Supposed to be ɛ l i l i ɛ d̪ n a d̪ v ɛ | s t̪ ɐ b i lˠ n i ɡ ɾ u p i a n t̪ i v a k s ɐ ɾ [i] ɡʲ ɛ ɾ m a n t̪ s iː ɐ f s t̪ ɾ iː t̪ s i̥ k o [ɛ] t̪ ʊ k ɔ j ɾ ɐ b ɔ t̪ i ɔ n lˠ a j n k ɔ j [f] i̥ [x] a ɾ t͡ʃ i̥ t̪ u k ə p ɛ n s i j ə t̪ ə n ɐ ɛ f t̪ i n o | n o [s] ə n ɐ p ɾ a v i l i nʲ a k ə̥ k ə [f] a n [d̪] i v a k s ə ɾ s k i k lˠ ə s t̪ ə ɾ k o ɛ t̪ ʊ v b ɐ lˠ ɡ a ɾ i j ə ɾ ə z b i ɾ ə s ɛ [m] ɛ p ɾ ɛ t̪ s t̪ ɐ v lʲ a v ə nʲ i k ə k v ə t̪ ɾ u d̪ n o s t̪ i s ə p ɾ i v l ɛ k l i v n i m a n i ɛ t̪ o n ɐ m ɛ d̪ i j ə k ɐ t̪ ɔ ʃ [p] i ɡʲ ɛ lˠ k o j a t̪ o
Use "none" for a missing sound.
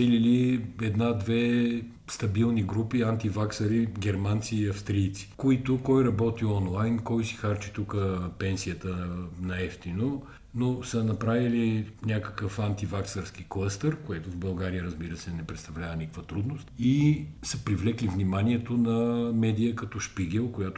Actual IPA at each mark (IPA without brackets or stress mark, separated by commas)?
i, i, s, x, s, f, t̪, n, p